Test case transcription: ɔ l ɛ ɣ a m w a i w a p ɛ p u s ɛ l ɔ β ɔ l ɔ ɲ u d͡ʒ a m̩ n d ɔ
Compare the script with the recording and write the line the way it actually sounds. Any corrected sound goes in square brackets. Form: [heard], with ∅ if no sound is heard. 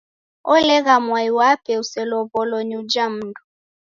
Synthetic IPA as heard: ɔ l ɛ ɣ a m w a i w a p ɛ [∅] u s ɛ l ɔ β ɔ l ɔ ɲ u d͡ʒ a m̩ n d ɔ